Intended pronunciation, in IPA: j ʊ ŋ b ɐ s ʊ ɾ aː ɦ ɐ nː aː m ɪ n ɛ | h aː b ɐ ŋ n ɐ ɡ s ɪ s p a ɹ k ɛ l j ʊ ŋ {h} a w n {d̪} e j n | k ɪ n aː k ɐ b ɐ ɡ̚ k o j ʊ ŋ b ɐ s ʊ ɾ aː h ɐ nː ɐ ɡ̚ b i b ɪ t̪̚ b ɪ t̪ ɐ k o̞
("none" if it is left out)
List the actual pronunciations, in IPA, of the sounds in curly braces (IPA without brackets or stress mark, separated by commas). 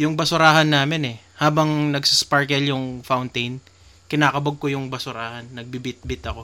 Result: f, t̪